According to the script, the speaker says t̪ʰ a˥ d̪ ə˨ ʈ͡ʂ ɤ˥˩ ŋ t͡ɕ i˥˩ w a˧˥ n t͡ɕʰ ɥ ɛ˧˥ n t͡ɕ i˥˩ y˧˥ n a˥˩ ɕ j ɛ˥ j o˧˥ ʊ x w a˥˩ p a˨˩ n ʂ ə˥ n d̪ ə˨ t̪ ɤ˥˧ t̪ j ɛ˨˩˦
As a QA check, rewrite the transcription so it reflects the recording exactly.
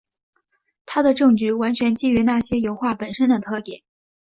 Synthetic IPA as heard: t̪ʰ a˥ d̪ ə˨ ʈ͡ʂ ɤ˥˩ ŋ t͡ɕ y˥˩ w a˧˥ n t͡ɕʰ ɥ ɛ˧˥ n t͡ɕ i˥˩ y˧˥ n a˥˩ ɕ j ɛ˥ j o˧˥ ʊ x w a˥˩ p ə˨˩ n ʂ ə˥ n d̪ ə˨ t̪ʰ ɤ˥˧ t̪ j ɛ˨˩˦